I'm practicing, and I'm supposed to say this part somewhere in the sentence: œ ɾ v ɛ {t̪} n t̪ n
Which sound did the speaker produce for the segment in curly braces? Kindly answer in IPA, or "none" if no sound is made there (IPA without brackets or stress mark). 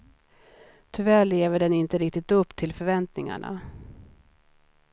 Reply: none